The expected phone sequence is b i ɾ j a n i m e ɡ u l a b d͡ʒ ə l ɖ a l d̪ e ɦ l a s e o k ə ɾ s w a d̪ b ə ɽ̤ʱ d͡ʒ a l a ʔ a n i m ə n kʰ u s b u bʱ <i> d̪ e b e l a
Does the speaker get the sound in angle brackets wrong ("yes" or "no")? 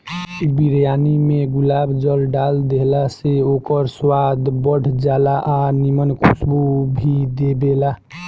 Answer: no